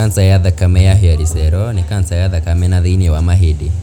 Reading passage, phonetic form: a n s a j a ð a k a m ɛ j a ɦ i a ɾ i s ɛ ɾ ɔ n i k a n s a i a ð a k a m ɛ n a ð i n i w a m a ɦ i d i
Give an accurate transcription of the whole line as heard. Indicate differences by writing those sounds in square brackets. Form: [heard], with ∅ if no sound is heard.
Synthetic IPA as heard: a n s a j a ð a k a m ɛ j a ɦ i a ɾ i s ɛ ɾ ɔ n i k a n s a [j] a ð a k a m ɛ n a ð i n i w a m a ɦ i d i